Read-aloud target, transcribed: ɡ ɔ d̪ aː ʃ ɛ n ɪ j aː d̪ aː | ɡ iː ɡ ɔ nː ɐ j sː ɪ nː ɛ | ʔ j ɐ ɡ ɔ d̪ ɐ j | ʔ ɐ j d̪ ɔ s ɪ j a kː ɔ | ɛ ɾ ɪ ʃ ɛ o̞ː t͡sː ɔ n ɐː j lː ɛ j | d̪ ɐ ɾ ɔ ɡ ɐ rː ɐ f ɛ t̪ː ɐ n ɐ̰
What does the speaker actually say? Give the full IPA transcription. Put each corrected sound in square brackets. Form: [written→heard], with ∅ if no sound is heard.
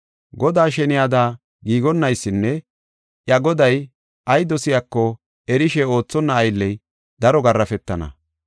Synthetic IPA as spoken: ɡ ɔ d̪ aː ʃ ɛ n ɪ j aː d̪ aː | ɡ iː ɡ ɔ nː ɐ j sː ɪ nː ɛ | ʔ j ɐ ɡ ɔ d̪ ɐ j | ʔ ɐ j d̪ ɔ s ɪ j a kː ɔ | ɛ ɾ ɪ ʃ ɛ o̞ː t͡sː ɔ [n→nː] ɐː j lː ɛ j | d̪ ɐ ɾ ɔ ɡ ɐ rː ɐ f ɛ t̪ː ɐ n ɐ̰

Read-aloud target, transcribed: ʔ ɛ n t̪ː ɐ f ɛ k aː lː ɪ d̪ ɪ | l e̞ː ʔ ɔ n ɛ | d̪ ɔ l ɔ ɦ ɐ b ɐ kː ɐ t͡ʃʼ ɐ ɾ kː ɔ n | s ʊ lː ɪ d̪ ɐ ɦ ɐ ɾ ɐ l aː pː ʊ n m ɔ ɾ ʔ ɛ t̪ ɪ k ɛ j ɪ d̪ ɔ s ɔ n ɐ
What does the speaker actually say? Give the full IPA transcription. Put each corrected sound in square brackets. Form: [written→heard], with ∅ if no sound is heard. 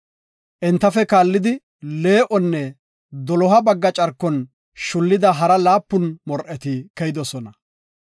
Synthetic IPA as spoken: ʔ ɛ n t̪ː ɐ f ɛ k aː lː ɪ d̪ ɪ | l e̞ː ʔ ɔ [n→nː] ɛ | d̪ ɔ l ɔ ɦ ɐ b ɐ [kː→ɡː] ɐ t͡ʃʼ ɐ ɾ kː ɔ n | [s→ʃ] ʊ lː ɪ d̪ ɐ ɦ ɐ ɾ ɐ l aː pː ʊ n m ɔ ɾ ʔ ɛ t̪ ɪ k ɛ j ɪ d̪ ɔ s ɔ n ɐ

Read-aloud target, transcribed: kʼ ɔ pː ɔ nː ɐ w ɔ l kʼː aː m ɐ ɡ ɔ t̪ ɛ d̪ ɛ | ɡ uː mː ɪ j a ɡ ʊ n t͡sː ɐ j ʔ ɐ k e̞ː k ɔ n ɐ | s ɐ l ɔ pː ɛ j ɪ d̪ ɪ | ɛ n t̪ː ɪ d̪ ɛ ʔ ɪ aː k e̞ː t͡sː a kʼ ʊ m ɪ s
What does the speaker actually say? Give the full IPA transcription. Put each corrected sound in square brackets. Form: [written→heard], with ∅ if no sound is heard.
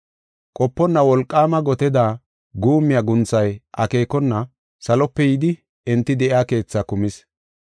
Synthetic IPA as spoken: kʼ ɔ pː ɔ nː ɐ w ɔ l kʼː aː m ɐ ɡ ɔ t̪ ɛ d̪ [ɛ→a] | ɡ uː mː ɪ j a ɡ ʊ n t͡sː ɐ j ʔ ɐ k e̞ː k ɔ [n→nː] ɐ | s ɐ l ɔ pː ɛ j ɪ d̪ ɪ | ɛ n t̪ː ɪ d̪ ɛ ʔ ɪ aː k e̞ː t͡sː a [kʼ→k] ʊ m ɪ s

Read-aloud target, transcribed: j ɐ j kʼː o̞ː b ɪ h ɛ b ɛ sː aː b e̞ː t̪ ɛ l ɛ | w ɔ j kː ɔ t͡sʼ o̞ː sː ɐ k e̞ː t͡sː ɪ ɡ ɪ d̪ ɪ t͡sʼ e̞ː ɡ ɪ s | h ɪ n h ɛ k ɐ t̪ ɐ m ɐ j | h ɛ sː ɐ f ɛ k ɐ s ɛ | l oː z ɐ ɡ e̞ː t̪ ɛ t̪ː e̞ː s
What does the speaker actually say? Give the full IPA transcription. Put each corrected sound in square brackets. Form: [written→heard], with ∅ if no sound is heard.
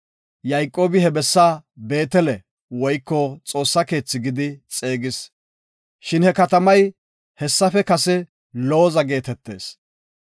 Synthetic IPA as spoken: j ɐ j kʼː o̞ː b ɪ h ɛ b ɛ sː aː b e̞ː t̪ ɛ l ɛ | w ɔ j kː ɔ t͡sʼ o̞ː sː ɐ k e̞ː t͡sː ɪ ɡ ɪ d̪ ɪ t͡sʼ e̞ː ɡ ɪ s | [h→ʃ] ɪ n h ɛ k ɐ t̪ ɐ m ɐ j | h ɛ sː ɐ f ɛ k ɐ s ɛ | l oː z ɐ ɡ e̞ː t̪ ɛ t̪ː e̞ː s

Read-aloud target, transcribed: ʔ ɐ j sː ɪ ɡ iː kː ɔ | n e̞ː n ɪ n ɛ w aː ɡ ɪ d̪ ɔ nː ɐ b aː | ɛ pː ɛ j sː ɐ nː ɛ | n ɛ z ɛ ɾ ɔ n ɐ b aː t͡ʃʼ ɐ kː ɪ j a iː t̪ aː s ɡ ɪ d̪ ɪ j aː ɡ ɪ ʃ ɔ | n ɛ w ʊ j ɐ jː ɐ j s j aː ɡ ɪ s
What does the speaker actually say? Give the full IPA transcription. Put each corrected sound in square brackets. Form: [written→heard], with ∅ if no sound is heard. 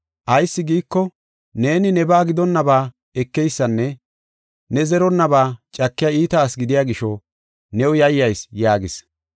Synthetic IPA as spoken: ʔ ɐ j sː ɪ ɡ iː kː ɔ | n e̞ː n ɪ n ɛ [w→b] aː ɡ ɪ d̪ ɔ nː ɐ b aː | ɛ [pː→kː] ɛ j sː ɐ nː ɛ | n ɛ z ɛ ɾ ɔ [n→nː] ɐ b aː t͡ʃʼ ɐ kː ɪ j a iː t̪ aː s ɡ ɪ d̪ ɪ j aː ɡ ɪ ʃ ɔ | n ɛ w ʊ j ɐ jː ɐ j s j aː ɡ ɪ s

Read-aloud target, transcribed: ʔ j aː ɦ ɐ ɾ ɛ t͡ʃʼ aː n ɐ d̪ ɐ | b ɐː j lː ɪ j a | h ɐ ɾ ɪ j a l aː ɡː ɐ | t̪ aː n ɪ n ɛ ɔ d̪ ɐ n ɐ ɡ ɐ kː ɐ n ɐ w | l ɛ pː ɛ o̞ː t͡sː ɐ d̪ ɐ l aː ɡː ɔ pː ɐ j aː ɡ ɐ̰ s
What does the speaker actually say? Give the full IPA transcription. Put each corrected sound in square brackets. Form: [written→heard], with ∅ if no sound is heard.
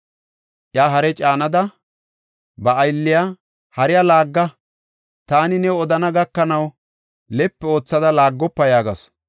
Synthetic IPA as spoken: ʔ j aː ɦ ɐ ɾ ɛ t͡ʃʼ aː n ɐ d̪ ɐ | b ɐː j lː ɪ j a | h ɐ ɾ ɪ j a l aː ɡː ɐ | t̪ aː n ɪ n ɛ ɔ d̪ ɐ n ɐ ɡ ɐ kː ɐ n ɐ w | l ɛ pː ɛ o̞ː t͡sː ɐ d̪ ɐ l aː ɡː ɔ pː ɐ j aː ɡ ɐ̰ s

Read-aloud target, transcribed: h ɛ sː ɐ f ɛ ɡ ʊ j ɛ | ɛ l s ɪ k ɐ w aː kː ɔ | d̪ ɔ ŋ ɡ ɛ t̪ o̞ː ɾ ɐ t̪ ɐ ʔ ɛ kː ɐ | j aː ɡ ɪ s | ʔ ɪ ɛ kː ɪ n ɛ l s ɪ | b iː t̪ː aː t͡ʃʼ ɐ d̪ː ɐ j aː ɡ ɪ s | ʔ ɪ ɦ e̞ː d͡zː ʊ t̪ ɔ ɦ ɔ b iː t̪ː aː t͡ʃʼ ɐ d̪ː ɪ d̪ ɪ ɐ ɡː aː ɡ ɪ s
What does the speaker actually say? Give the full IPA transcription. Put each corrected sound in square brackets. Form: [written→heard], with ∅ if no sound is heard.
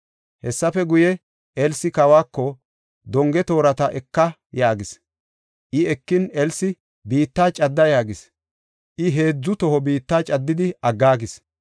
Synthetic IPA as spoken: h ɛ sː ɐ f ɛ ɡ ʊ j ɛ | ɛ l s ɪ k ɐ w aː kː ɔ | d̪ ɔ ŋ ɡ ɛ t̪ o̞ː ɾ ɐ t̪ ɐ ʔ ɛ kː ɐ | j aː ɡ ɪ s | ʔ ɪ ɛ kː ɪ n ɛ l s ɪ | b iː t̪ː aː t͡ʃʼ ɐ d̪ː ɐ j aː ɡ ɪ s | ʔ ɪ ɦ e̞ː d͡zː ʊ t̪ ɔ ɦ ɔ b iː t̪ː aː t͡ʃʼ ɐ d̪ː ɪ d̪ ɪ ɐ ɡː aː ɡ ɪ s

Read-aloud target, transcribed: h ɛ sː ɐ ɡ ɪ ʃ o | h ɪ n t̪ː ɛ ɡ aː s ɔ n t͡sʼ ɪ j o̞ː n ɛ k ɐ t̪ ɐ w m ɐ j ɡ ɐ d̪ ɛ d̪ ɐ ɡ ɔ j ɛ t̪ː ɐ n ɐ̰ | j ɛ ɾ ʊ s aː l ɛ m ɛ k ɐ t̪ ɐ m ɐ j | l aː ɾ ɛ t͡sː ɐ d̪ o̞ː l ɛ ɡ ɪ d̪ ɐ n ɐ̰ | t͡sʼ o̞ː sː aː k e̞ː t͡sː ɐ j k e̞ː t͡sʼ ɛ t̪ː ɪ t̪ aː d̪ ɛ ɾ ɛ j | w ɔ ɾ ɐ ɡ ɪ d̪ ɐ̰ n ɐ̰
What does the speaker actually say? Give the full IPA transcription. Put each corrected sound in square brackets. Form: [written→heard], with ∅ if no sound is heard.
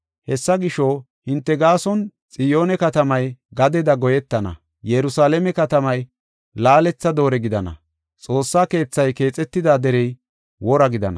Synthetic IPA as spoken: h ɛ sː ɐ ɡ ɪ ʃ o | h ɪ n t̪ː ɛ ɡ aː s ɔ n t͡sʼ ɪ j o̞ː n ɛ k ɐ t̪ ɐ [w→∅] m ɐ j ɡ ɐ d̪ ɛ d̪ ɐ ɡ ɔ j ɛ t̪ː ɐ n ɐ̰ | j ɛ ɾ ʊ s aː l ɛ m ɛ k ɐ t̪ ɐ m ɐ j | l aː [ɾ→l] ɛ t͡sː ɐ d̪ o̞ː [l→ɾ] ɛ ɡ ɪ d̪ ɐ n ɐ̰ | t͡sʼ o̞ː sː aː k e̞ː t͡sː ɐ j k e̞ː t͡sʼ ɛ t̪ː ɪ [t̪→d̪] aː d̪ ɛ ɾ ɛ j | w ɔ ɾ ɐ ɡ ɪ d̪ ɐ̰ n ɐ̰

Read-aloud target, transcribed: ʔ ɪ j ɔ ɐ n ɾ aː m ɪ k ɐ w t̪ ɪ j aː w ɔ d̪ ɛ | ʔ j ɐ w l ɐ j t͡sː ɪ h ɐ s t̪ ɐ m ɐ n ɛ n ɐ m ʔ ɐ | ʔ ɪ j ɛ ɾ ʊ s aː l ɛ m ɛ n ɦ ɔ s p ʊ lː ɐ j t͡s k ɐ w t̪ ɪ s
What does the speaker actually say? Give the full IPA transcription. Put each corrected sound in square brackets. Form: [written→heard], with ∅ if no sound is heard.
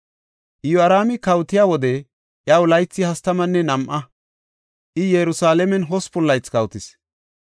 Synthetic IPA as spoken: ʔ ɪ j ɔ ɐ [n→∅] ɾ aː m ɪ k ɐ w t̪ ɪ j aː w ɔ d̪ ɛ | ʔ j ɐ w l ɐ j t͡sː ɪ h ɐ s t̪ ɐ m ɐ [n→nː] ɛ n ɐ m ʔ ɐ | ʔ ɪ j ɛ ɾ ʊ s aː l ɛ m ɛ n ɦ ɔ s p ʊ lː ɐ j t͡s k ɐ w t̪ ɪ s

